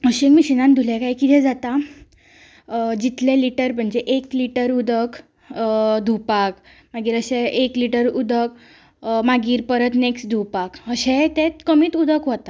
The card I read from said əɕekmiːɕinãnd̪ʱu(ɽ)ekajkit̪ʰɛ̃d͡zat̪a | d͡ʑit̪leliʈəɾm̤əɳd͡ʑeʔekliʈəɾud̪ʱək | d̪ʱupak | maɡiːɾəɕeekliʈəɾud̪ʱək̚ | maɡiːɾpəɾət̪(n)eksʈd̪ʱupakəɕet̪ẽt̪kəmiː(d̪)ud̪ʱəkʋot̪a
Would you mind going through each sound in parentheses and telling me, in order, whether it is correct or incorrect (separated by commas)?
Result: incorrect, correct, incorrect